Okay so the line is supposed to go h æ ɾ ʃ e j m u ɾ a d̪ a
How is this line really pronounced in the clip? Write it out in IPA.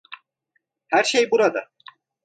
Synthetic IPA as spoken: h æ ɾ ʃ e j b u ɾ a d̪ a